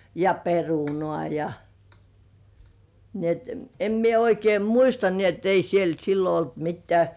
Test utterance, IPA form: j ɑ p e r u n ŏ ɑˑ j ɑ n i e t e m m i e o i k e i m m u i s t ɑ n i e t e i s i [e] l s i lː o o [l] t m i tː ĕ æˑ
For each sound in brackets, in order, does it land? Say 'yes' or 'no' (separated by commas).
yes, yes